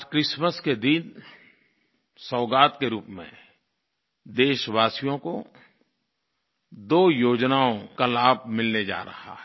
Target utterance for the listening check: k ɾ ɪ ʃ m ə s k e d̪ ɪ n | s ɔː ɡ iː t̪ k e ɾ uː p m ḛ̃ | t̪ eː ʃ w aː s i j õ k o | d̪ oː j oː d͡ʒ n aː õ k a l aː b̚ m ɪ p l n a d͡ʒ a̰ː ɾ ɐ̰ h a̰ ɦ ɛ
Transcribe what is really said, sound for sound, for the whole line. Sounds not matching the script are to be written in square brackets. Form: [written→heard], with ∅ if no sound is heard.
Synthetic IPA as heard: k ɾ ɪ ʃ m ə s k e d̪ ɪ n | s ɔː ɡ [iː→aː] t̪ k e ɾ uː p m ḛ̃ | [t̪→d̪] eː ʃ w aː s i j õ k o | d̪ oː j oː d͡ʒ n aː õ k a l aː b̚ m ɪ [p→∅] l n [a→e] d͡ʒ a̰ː ɾ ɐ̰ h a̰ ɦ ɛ